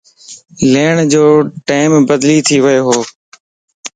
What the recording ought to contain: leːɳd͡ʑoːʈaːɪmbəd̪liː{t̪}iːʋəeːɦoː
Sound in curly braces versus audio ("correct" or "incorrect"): incorrect